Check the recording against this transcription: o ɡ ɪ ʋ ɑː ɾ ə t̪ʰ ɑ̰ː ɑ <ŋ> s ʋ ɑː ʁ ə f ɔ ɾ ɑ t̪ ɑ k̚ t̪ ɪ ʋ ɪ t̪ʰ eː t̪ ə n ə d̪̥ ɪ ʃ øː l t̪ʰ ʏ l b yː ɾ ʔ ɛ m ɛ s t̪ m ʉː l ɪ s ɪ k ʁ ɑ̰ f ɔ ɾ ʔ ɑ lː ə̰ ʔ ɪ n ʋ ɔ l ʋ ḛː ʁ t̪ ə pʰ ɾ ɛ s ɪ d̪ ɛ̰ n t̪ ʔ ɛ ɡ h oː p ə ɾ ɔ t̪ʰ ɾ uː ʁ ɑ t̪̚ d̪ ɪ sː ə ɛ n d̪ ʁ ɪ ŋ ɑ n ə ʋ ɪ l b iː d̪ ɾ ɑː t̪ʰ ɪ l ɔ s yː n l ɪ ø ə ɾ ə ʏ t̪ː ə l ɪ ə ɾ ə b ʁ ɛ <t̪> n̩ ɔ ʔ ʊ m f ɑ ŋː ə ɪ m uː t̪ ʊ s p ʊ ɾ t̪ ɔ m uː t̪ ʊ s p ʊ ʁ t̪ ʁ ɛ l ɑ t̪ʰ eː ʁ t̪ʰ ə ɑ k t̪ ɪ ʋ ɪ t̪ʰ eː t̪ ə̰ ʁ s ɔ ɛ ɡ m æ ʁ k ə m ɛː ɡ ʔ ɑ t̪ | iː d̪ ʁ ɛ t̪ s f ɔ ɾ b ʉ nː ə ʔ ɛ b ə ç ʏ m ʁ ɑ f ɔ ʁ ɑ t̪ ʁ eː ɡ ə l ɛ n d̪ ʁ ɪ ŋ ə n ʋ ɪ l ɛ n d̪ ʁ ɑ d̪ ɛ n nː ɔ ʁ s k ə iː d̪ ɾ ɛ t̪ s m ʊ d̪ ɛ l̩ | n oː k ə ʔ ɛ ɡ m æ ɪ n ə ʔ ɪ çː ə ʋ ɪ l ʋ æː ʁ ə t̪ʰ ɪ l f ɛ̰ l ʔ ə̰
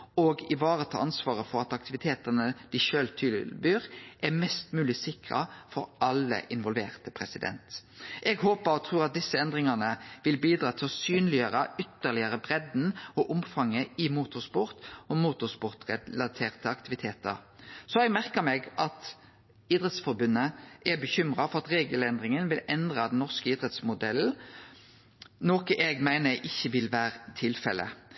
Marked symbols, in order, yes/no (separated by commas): no, no